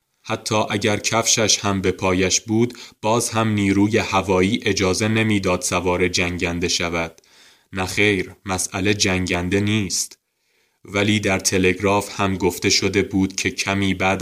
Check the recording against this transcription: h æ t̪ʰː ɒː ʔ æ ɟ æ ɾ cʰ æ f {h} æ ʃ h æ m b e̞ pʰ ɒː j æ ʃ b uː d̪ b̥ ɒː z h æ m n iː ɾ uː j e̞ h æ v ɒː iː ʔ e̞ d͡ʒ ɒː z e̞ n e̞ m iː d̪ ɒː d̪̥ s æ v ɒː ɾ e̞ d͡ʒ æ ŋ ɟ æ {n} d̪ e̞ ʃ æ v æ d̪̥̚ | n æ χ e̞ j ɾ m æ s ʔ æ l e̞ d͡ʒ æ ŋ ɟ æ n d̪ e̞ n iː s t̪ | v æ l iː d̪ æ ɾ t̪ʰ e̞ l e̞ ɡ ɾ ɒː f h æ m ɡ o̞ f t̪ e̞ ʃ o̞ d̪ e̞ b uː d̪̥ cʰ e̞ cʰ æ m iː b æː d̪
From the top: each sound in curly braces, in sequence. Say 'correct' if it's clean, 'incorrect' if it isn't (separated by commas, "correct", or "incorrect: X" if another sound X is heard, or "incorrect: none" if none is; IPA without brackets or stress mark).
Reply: incorrect: ʃ, correct